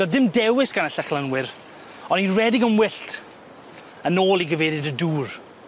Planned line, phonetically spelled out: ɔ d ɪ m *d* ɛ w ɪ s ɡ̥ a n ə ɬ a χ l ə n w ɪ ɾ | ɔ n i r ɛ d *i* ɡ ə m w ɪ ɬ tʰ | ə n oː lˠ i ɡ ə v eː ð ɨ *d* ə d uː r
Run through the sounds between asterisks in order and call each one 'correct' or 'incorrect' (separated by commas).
correct, incorrect, correct